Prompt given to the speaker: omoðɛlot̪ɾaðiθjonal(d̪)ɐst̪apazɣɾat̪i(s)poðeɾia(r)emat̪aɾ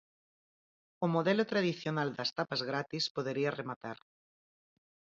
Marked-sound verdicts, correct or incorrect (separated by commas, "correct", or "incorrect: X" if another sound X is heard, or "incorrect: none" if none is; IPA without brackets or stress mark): correct, correct, correct